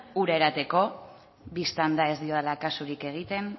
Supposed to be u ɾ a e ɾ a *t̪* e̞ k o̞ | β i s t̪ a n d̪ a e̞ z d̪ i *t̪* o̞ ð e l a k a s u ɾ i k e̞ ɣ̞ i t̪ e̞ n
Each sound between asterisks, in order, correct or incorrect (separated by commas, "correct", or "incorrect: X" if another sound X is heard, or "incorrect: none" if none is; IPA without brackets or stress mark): correct, incorrect: none